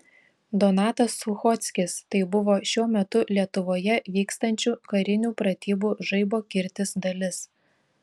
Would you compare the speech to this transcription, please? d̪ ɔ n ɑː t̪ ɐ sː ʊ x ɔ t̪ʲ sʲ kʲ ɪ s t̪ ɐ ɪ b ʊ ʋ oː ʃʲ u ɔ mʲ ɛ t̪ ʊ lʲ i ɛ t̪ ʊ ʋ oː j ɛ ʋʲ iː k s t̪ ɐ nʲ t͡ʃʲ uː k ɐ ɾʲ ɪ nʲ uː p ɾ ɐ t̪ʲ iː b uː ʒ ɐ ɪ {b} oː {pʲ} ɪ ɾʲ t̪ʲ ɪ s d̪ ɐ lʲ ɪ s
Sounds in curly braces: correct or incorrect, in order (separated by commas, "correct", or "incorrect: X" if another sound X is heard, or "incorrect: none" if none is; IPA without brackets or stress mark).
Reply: correct, incorrect: kʲ